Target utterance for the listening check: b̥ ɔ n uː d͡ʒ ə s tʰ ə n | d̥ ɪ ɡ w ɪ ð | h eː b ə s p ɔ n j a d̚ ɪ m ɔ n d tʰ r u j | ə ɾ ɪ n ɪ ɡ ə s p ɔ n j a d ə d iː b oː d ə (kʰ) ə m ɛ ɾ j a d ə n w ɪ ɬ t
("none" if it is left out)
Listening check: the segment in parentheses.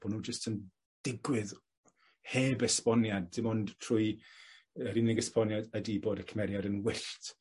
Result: kʰ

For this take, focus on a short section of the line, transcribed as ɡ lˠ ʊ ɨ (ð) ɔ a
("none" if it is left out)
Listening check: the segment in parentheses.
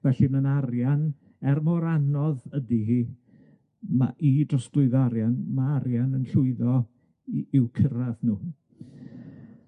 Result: ð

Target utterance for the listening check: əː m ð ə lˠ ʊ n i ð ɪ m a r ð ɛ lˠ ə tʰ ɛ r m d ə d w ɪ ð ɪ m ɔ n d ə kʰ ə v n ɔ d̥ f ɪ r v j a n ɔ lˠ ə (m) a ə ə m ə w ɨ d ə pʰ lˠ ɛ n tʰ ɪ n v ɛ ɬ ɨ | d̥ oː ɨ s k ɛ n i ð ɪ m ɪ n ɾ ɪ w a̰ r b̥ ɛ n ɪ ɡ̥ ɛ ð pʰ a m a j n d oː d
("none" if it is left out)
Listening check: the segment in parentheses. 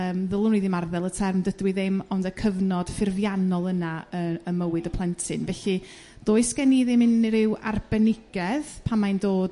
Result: n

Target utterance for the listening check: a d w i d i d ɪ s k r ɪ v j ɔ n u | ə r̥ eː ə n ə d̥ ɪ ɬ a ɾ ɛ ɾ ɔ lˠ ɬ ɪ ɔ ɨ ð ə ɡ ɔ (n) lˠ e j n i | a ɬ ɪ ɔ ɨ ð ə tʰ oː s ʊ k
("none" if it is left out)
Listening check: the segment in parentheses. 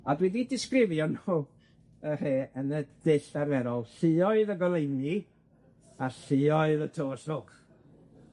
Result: none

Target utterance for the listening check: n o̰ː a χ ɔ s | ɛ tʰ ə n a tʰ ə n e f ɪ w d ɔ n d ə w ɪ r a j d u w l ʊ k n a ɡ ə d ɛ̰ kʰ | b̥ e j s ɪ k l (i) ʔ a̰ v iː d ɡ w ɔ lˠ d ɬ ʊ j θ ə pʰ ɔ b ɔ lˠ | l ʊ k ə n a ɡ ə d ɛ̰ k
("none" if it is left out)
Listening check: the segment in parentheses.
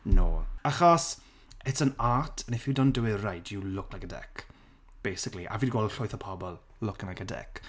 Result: i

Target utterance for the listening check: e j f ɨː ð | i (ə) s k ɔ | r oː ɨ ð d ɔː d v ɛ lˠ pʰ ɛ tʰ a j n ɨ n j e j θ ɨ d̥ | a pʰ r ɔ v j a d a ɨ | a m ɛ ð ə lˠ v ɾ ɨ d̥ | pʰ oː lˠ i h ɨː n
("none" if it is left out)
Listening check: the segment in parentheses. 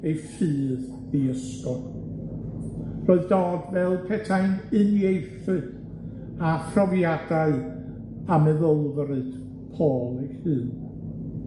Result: ə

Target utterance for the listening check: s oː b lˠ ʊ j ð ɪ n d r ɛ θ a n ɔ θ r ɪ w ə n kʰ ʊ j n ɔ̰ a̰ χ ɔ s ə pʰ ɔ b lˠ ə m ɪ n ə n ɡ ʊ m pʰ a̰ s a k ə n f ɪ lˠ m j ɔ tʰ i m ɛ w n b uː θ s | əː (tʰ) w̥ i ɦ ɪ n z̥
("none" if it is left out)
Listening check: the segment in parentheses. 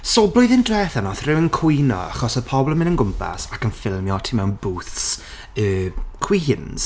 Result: kʰ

